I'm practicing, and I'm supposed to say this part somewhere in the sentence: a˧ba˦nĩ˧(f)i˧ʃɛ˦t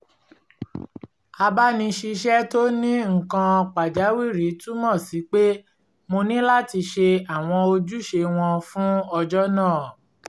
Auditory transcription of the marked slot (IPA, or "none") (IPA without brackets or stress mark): ʃ